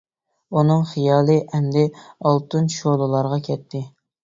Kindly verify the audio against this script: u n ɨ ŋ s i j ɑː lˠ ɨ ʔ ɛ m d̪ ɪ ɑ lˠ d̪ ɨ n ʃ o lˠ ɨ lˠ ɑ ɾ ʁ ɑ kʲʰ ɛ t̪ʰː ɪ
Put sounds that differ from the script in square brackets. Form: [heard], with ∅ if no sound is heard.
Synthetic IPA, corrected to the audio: u n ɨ ŋ [χ] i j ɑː lˠ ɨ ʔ ɛ m d̪ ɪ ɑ lˠ [t̪] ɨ n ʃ o lˠ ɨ lˠ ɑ ɾ ʁ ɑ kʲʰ ɛ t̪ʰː ɪ